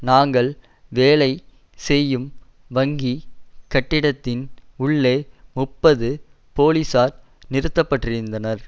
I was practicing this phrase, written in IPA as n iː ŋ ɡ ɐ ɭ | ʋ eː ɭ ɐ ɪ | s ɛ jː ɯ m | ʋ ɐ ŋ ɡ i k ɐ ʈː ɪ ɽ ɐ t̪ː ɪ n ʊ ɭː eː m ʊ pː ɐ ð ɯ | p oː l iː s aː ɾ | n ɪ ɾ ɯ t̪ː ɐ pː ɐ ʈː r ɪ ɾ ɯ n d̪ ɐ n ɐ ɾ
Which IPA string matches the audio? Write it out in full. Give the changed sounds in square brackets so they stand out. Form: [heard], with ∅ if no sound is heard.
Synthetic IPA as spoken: n [aː] ŋ ɡ ɐ ɭ | ʋ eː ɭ ɐ ɪ | s ɛ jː ɯ m | ʋ ɐ ŋ ɡ i k ɐ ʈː ɪ ɽ ɐ t̪ː ɪ n ʊ ɭː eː m ʊ pː ɐ ð ɯ | p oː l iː s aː ɾ | n ɪ ɾ ɯ t̪ː ɐ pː ɐ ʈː r ɪ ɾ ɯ n d̪ ɐ n ɐ ɾ

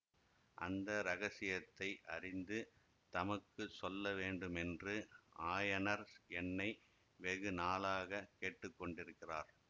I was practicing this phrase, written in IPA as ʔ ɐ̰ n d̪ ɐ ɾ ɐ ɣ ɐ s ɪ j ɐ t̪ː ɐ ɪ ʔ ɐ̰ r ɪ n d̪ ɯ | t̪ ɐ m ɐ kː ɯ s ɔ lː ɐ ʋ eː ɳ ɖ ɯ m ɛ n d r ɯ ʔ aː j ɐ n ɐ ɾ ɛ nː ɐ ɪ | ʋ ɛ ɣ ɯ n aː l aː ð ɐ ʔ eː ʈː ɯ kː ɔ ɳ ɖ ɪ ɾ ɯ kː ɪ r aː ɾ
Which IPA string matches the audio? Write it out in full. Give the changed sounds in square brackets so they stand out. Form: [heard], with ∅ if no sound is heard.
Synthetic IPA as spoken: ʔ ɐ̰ n d̪ ɐ ɾ ɐ ɣ ɐ s ɪ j ɐ t̪ː ɐ ɪ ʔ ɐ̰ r ɪ n d̪ ɯ | t̪ ɐ m ɐ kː ɯ s ɔ lː ɐ ʋ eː ɳ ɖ ɯ m ɛ n d r ɯ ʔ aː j ɐ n ɐ ɾ ɛ nː ɐ ɪ | ʋ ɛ ɣ ɯ n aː l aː [ɣ] ɐ [k] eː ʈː ɯ kː ɔ ɳ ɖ ɪ ɾ ɯ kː ɪ r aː ɾ

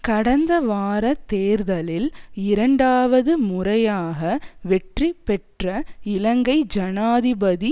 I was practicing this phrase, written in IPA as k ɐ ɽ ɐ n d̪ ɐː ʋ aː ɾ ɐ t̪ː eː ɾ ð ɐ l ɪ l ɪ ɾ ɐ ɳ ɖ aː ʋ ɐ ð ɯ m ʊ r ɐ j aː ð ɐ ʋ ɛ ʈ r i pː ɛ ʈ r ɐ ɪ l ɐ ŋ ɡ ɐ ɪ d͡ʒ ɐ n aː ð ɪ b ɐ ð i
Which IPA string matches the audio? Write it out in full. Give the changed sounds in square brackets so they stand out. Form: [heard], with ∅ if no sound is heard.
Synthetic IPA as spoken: k ɐ ɽ ɐ n d̪ [ɐ] ʋ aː ɾ ɐ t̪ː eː ɾ ð ɐ l ɪ l ɪ ɾ ɐ ɳ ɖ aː ʋ ɐ ð ɯ m ʊ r ɐ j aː [ɣ] ɐ ʋ ɛ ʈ r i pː ɛ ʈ r ɐ ɪ l ɐ ŋ ɡ ɐ ɪ d͡ʒ ɐ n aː ð ɪ b ɐ ð i

